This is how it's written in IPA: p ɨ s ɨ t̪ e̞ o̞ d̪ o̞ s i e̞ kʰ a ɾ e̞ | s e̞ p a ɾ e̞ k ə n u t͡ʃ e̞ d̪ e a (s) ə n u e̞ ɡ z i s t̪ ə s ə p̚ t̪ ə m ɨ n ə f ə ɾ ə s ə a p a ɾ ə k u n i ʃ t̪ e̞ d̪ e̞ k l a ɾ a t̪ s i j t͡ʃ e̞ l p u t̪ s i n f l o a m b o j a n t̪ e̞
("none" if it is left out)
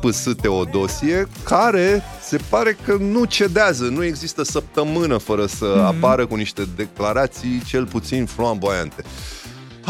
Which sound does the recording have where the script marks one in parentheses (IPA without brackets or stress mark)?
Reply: z